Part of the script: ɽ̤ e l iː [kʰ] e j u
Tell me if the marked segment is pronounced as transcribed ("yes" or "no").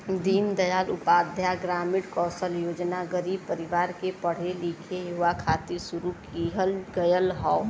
yes